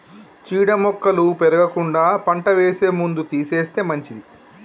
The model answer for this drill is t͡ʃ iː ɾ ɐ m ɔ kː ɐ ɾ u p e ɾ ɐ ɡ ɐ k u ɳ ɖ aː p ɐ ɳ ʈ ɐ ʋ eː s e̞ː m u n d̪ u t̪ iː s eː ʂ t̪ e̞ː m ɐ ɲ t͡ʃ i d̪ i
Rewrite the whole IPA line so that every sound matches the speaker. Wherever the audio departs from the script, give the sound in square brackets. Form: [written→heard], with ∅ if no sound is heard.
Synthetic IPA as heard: t͡ʃ iː [ɾ→ɽ] ɐ m ɔ kː ɐ [ɾ→l] u p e ɾ ɐ ɡ ɐ k u ɳ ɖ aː p ɐ ɳ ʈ ɐ ʋ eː s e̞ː m u n d̪ u t̪ iː s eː [ʂ→s] t̪ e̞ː m ɐ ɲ t͡ʃ i d̪ i